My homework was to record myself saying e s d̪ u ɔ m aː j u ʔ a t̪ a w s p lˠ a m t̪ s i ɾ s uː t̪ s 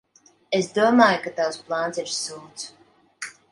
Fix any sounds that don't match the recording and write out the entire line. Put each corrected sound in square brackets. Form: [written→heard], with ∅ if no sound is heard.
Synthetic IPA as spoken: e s d̪ u ɔ m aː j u [ʔ→k] a t̪ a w s p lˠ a [m→n] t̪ s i ɾ s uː t̪ s

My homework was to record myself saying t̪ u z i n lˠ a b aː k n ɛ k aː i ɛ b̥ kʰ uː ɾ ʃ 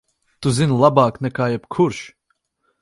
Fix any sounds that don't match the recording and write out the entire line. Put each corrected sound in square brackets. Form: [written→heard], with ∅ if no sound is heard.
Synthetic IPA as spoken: t̪ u z i n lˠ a b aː k n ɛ k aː [i→j] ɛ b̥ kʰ [uː→u] ɾ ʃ

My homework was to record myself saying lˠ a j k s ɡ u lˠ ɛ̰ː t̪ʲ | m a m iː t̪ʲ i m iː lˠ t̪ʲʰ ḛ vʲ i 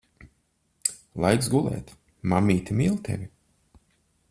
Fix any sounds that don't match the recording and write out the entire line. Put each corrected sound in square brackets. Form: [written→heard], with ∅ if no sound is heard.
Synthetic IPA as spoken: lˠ a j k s ɡ u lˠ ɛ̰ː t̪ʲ | m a m iː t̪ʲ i m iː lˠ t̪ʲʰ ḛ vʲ i

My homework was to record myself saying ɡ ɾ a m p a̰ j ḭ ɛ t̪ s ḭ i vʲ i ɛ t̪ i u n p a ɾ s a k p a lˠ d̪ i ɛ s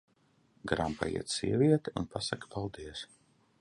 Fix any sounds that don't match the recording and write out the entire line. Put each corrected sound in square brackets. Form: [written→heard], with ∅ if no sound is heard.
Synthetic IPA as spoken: ɡ ɾ a m p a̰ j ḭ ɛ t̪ s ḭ [i→ɛ] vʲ i ɛ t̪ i u n p a [ɾ→∅] s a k p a lˠ d̪ i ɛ s

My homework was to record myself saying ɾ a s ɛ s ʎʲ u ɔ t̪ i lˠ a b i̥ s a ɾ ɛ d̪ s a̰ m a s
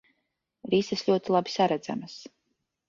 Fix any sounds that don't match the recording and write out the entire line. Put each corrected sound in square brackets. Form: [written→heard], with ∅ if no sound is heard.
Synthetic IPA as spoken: ɾ [a→i] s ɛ s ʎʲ u ɔ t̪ i lˠ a b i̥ s a ɾ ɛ d̪ [s→z] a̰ m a s

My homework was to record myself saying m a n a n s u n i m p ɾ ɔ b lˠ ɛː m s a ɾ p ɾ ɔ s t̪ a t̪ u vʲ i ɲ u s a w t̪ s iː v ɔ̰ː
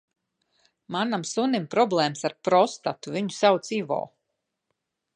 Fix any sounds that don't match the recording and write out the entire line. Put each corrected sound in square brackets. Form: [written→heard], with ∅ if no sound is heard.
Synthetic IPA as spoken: m a n a [n→m] s u n i m p ɾ ɔ b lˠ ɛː m s a ɾ p ɾ ɔ s t̪ a t̪ u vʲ i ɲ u s a w t̪ s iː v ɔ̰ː

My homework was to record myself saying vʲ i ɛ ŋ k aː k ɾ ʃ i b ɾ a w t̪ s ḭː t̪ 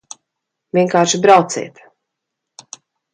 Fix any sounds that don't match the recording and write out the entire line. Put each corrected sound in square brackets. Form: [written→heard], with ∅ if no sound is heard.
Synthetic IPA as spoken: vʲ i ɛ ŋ k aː [k→∅] ɾ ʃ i b ɾ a w t̪ s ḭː t̪

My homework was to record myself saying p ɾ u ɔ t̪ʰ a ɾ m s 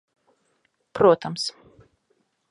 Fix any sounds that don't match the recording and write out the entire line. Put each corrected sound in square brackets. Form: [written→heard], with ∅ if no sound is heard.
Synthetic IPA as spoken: p ɾ u ɔ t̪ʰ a [ɾ→∅] m s

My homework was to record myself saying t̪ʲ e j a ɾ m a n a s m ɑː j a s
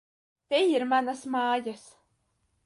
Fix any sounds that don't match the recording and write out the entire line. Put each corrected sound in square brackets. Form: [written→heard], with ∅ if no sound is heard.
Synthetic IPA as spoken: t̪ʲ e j [a→i] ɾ m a n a s m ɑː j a s

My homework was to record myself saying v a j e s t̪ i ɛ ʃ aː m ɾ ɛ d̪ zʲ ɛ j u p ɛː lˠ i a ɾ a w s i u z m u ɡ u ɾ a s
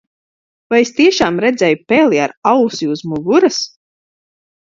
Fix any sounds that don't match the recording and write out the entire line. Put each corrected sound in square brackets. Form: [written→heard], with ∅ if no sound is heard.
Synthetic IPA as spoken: v a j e s t̪ i ɛ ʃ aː m ɾ ɛ d̪ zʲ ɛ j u p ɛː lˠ i a ɾ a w s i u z m u ɡ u ɾ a s

